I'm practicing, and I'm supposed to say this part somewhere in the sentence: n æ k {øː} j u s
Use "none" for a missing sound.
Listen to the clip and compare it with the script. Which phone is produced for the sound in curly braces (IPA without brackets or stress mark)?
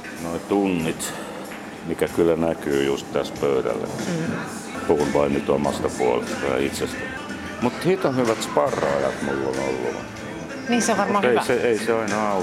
yː